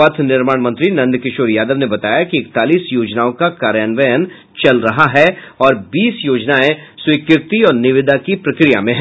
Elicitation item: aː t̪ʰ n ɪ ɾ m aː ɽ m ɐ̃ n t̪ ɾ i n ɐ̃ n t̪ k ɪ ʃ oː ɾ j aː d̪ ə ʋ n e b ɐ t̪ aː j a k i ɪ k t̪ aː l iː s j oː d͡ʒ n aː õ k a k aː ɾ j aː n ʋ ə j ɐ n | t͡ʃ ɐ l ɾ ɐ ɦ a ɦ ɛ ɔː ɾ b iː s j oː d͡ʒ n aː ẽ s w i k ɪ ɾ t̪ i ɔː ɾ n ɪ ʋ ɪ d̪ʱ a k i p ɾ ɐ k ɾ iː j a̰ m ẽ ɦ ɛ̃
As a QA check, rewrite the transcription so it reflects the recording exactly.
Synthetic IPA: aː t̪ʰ n ɪ ɾ m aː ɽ m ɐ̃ n t̪ ɾ i n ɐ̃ n d̪ k ɪ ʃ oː ɾ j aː d̪ ə ʋ n e b ɐ t̪ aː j a k i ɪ k t̪ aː l iː s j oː d͡ʒ n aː õ k a k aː ɾ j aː n ʋ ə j ə n | t͡ʃ ɐ l ɾ ɐ ɦ a ɦ ɛ ɔː ɾ b iː s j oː d͡ʒ n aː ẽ s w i k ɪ ɾ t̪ i ɔː ɾ n ɪ ʋ ɪ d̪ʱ a k i p ɾ ɐ k ɾ i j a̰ m ẽ ɦ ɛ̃